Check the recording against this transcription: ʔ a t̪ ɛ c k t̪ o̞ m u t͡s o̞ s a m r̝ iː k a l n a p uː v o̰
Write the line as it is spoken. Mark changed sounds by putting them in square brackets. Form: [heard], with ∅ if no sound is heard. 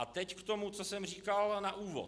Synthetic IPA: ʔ a t̪ ɛ c k t̪ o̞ m u t͡s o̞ s [ɛ] m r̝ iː k a l n a [ʔ] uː v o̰